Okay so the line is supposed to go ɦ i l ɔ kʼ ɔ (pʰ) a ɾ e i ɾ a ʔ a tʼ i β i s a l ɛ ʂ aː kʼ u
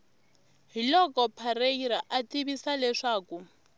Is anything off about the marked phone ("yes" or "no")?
no